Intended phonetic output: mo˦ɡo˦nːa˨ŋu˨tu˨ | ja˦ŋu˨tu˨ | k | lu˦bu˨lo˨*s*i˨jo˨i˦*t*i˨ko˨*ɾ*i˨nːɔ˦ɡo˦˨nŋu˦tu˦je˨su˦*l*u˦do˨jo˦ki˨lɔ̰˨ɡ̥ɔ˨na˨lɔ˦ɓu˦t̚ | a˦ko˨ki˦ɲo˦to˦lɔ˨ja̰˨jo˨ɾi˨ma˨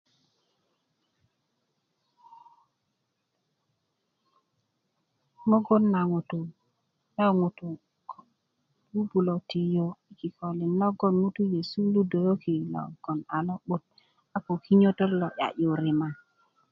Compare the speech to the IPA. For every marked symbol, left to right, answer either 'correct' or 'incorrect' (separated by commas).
incorrect, incorrect, incorrect, correct